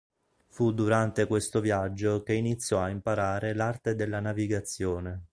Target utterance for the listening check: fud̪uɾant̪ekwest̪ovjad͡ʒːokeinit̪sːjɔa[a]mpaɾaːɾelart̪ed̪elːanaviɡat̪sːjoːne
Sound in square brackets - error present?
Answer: yes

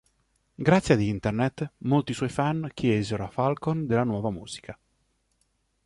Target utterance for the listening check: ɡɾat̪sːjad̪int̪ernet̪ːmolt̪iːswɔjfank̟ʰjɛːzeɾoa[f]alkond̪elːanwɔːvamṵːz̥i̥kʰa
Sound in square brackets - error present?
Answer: no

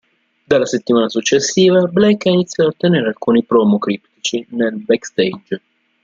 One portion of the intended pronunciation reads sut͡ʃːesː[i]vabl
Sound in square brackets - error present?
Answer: yes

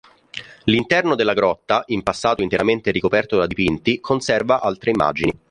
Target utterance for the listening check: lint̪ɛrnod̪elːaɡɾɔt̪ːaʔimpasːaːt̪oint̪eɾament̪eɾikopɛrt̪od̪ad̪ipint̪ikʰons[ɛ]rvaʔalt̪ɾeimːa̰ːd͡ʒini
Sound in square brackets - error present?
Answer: no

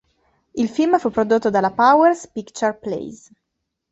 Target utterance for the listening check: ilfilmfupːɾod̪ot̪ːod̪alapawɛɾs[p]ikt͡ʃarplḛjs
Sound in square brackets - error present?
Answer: no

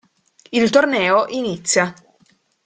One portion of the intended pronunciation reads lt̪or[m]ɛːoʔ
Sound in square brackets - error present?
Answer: yes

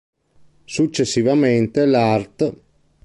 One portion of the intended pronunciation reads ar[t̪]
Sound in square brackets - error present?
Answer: no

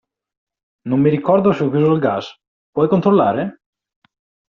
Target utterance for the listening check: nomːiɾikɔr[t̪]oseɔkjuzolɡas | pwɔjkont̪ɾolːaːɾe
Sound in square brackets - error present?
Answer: yes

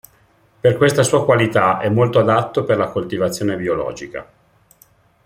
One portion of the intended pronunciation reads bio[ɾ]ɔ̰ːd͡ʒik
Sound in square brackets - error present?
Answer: yes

